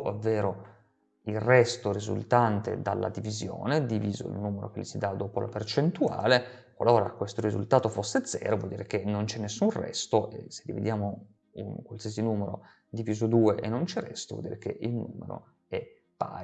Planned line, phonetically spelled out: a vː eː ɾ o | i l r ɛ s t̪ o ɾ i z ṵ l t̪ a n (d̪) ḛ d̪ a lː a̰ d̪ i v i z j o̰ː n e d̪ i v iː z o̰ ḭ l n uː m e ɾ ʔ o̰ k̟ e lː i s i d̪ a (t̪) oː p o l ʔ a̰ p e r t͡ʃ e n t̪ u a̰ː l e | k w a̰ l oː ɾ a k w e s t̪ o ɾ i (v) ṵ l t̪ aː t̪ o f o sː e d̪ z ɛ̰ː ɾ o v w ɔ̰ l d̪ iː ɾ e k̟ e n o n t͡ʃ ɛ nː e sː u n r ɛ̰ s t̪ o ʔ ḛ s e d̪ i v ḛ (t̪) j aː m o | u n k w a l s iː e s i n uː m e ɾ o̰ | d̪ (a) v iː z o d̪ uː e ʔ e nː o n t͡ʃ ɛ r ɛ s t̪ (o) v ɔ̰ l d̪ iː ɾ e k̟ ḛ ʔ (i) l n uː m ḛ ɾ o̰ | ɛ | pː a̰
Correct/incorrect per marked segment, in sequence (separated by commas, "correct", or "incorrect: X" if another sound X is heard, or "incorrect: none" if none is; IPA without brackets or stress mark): incorrect: t̪, incorrect: d̪, incorrect: z, incorrect: d̪, incorrect: i, correct, correct